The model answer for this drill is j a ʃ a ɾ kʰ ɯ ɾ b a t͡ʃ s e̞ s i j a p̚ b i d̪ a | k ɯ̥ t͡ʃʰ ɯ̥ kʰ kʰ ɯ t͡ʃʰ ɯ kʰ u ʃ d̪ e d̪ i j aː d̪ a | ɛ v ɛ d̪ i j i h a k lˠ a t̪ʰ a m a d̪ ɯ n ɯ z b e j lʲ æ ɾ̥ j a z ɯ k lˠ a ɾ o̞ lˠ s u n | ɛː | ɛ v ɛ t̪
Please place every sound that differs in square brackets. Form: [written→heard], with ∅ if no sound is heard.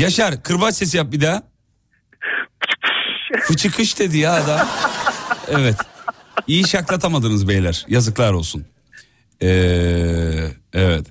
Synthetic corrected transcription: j a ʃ a ɾ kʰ ɯ ɾ b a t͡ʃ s e̞ s i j a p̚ b i d̪ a | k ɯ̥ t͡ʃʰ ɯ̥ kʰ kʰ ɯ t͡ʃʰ ɯ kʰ [u→ɯ] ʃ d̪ e d̪ i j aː d̪ a | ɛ v ɛ [d̪→t̪] i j i [h→ʃ] a k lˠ a t̪ʰ a m a d̪ ɯ n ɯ z b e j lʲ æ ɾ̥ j a z ɯ k lˠ a ɾ o̞ lˠ s u n | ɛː | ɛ v ɛ t̪